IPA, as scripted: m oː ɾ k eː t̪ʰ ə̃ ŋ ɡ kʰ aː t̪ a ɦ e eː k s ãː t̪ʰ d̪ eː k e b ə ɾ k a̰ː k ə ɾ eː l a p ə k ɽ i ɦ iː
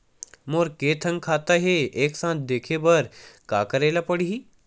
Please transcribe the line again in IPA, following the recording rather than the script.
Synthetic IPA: m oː ɾ k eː t̪ʰ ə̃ ŋ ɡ kʰ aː t̪ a ɦ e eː k s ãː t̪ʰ d̪ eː kʰ e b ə ɾ k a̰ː k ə ɾ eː l a p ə ɽ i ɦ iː